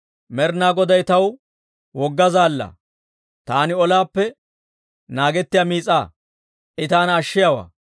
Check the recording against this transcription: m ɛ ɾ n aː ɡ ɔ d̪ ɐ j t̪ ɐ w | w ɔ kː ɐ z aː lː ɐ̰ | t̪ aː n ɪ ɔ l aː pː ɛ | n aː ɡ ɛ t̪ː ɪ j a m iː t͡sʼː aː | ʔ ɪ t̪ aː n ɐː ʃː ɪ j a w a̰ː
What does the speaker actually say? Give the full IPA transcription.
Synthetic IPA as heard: m ɛ ɾ n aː ɡ ɔ d̪ ɐ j t̪ ɐ w | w ɔ ɡː ɐ z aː lː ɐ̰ | t̪ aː n ɪ ɔ l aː pː ɛ | n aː ɡ ɛ t̪ː ɪ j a m iː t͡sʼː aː | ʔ ɪ t̪ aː n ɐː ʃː ɪ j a w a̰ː